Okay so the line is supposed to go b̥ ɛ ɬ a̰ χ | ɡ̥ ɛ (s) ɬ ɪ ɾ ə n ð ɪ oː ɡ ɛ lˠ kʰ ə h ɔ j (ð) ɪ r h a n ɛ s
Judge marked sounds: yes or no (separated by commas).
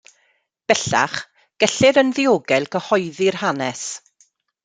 no, yes